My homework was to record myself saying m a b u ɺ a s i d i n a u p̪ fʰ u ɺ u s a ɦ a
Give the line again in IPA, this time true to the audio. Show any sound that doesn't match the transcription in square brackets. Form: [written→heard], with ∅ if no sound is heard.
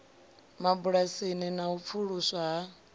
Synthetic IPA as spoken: m a b u ɺ a s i [d→n] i n a u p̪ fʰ u ɺ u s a ɦ a